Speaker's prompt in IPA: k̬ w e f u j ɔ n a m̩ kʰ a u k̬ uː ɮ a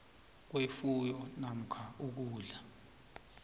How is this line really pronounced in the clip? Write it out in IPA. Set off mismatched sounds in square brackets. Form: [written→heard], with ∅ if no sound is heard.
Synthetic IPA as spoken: k̬ w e f u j ɔ n a m̩ kʰ a u k̬ uː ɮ a